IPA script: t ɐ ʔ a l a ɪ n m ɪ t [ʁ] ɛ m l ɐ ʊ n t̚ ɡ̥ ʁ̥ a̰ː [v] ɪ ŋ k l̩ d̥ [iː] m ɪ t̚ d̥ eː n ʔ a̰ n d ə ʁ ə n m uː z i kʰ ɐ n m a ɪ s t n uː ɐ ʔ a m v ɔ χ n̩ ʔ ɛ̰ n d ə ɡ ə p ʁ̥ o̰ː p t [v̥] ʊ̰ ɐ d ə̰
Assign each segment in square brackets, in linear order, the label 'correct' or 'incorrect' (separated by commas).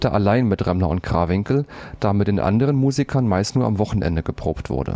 correct, correct, incorrect, correct